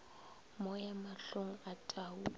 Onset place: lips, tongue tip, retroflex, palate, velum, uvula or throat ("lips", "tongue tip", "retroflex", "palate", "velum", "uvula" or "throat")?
lips